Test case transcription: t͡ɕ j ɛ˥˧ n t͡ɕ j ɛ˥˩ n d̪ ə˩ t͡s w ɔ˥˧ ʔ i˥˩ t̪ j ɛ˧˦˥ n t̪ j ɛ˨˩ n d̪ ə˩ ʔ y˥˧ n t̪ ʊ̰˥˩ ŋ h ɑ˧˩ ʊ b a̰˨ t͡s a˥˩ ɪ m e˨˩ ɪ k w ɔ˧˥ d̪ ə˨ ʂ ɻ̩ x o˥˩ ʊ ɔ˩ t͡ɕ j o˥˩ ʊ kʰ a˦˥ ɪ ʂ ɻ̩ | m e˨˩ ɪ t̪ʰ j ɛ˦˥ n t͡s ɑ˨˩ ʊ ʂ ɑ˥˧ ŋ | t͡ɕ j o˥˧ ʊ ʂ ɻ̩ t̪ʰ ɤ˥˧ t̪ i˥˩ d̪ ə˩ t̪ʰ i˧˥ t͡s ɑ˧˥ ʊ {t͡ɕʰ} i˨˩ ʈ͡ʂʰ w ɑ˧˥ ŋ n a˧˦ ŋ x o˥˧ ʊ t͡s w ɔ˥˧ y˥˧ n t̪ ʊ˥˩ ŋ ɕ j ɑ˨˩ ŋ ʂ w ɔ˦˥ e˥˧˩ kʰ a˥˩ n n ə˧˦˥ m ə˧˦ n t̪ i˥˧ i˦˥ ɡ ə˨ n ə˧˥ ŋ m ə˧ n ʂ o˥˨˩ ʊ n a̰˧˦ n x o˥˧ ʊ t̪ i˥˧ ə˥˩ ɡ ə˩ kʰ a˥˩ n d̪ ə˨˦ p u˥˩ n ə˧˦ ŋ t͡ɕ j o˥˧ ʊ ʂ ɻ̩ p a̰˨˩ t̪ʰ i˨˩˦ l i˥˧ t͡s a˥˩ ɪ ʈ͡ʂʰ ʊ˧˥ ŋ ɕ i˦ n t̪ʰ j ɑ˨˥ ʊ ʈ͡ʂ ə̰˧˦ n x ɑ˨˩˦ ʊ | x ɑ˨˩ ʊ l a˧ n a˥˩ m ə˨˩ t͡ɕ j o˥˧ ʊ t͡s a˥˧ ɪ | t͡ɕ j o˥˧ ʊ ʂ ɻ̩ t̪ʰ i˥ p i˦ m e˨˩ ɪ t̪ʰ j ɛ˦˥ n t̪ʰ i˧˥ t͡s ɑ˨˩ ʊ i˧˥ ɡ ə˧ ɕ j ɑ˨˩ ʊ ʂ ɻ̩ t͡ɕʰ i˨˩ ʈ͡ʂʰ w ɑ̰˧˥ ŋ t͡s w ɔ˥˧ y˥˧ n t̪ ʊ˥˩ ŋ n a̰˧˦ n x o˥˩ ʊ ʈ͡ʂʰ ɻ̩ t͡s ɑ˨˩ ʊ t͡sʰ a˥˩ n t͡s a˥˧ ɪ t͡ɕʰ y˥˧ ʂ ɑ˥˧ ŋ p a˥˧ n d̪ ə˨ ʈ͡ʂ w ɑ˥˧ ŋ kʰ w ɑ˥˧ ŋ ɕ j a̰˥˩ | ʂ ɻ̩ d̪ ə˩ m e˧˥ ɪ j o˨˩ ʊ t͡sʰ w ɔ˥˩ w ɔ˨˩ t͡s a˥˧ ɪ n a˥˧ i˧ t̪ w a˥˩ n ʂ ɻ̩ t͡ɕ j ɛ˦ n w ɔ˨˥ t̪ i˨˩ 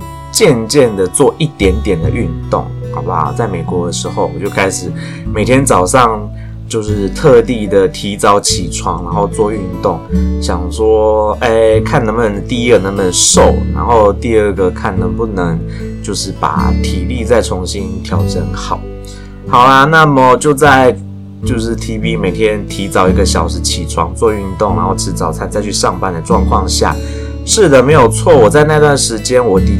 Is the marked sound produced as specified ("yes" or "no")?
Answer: yes